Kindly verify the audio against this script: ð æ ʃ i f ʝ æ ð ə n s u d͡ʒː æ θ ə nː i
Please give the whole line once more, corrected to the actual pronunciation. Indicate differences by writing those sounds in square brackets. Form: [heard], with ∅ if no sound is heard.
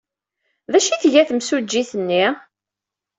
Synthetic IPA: ð æ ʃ i [θ] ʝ æ [θ] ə [m] s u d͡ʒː [i] θ ə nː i